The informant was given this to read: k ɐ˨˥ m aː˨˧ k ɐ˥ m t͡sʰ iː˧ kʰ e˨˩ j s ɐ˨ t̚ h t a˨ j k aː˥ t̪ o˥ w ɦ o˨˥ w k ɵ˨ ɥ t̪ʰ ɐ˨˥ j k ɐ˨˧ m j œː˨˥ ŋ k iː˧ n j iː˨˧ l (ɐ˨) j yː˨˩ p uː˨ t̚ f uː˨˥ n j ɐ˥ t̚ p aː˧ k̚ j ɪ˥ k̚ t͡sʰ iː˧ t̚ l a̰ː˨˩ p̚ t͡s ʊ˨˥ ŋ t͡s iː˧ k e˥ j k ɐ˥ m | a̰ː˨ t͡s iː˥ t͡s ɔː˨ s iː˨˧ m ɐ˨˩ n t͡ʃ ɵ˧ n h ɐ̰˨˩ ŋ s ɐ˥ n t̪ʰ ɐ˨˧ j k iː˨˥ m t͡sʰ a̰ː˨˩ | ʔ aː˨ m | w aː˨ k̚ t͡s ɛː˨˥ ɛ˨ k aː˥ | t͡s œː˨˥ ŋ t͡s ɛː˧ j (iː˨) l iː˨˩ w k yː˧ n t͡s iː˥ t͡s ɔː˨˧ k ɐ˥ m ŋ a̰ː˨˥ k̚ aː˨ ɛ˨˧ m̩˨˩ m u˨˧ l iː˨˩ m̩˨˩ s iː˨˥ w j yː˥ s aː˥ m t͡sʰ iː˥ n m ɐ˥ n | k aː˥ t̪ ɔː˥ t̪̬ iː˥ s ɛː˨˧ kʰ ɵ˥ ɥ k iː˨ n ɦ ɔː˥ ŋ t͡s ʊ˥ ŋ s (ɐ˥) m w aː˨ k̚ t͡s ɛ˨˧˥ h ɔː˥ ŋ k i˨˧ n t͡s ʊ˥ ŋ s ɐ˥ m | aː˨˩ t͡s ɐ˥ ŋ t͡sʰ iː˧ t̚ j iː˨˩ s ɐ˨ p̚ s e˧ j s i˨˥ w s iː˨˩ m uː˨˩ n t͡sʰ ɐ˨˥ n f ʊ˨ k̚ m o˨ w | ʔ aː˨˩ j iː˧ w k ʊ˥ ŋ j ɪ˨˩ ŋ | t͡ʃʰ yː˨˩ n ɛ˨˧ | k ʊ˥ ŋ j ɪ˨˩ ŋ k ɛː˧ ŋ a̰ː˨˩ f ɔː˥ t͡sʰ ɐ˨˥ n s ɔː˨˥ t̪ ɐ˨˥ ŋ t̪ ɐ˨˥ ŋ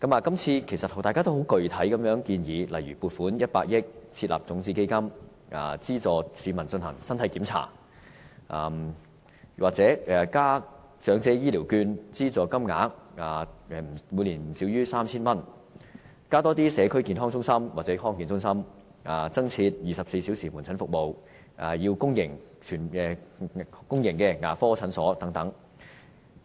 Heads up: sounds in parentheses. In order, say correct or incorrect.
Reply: correct, incorrect: iː˥, correct

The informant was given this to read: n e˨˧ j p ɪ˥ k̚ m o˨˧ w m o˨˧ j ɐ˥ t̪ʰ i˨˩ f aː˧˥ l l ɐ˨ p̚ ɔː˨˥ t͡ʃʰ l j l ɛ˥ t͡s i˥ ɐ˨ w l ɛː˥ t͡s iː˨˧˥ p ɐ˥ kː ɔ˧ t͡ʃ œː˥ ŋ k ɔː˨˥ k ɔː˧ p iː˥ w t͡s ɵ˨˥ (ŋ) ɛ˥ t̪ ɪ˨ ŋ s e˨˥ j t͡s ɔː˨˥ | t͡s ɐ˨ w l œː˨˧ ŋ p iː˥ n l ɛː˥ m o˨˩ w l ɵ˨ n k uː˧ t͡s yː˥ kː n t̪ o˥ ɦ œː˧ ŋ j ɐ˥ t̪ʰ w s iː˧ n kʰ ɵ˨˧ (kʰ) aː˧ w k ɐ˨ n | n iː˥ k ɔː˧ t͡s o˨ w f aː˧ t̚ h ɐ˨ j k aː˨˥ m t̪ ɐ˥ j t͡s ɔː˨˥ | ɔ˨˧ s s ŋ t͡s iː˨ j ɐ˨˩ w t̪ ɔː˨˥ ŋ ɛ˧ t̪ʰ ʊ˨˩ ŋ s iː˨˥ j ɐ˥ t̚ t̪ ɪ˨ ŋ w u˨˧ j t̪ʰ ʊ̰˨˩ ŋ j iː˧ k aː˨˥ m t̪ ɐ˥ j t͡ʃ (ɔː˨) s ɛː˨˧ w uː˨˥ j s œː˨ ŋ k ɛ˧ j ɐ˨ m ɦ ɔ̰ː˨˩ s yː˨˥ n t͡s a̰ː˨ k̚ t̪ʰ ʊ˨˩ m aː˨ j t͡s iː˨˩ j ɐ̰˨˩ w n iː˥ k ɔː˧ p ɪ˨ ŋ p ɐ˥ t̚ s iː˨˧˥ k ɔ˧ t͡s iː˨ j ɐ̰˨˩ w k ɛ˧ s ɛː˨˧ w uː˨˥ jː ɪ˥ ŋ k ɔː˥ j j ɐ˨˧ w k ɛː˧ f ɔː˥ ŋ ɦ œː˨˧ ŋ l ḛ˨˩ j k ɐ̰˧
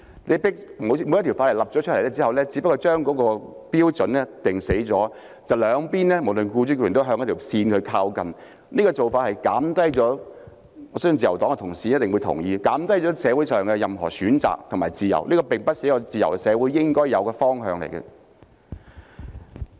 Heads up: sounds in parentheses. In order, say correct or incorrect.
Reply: incorrect: n, correct, incorrect: ɔː˨˥

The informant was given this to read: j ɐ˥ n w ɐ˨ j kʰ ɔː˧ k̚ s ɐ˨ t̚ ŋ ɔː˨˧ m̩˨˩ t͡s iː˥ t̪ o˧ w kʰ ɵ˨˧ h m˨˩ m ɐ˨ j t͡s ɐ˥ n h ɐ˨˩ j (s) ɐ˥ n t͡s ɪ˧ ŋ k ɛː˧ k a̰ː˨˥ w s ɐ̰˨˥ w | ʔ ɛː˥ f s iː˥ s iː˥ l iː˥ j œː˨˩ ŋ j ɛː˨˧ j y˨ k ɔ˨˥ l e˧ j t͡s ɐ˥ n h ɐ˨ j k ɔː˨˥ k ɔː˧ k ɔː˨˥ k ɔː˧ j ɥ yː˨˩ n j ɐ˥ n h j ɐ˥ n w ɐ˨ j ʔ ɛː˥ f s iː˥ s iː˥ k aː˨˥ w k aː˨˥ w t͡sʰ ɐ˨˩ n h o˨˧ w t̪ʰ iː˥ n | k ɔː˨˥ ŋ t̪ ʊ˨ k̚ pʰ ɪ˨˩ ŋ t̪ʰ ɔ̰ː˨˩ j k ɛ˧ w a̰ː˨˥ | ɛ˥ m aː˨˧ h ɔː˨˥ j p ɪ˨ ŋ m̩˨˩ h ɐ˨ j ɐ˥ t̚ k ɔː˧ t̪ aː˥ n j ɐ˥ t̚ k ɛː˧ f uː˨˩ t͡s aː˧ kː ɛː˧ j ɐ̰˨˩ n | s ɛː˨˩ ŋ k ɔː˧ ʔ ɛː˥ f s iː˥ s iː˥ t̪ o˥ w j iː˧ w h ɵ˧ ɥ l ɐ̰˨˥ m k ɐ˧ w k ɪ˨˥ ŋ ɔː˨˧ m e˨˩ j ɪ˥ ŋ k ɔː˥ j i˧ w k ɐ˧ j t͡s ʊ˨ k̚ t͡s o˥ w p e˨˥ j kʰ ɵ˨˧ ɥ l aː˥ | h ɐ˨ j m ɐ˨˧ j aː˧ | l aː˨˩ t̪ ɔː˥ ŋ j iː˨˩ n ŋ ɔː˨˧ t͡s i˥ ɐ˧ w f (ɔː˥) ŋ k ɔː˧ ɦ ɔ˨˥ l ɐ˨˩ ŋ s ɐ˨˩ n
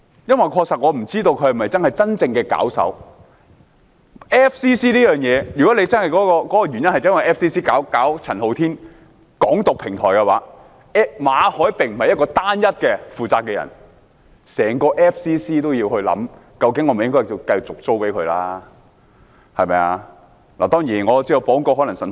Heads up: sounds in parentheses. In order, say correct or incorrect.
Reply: incorrect: t͡s, incorrect: ɔː˨˥

